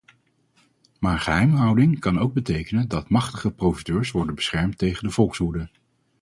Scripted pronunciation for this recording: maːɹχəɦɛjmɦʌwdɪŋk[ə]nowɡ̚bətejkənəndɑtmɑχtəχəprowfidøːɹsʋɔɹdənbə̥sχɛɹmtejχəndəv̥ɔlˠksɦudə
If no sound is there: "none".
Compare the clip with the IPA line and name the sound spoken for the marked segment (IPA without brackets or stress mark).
ɑ